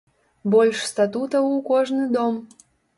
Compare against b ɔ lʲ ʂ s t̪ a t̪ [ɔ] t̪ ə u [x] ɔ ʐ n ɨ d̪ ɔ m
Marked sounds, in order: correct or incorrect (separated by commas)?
incorrect, incorrect